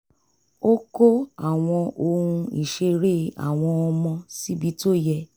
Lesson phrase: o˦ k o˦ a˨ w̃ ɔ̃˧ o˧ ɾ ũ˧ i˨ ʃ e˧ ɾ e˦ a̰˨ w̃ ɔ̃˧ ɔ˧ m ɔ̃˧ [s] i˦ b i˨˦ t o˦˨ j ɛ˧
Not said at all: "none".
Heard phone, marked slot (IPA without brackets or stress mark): s